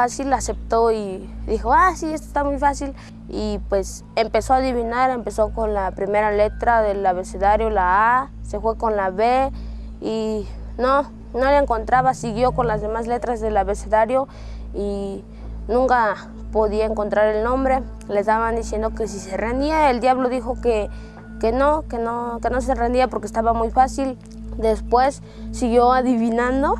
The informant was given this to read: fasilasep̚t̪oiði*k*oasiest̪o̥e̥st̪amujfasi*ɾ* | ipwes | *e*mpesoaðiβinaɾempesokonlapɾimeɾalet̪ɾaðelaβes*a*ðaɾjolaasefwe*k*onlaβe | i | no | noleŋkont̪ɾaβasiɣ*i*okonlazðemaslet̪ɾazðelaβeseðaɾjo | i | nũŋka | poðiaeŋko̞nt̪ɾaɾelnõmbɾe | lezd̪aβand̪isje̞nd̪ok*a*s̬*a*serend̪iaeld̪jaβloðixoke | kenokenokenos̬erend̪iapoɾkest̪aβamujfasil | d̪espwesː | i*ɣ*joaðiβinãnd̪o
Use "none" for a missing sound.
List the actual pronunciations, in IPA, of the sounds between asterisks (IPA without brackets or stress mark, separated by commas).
x, l, e, e, k, j, e, i, ɣ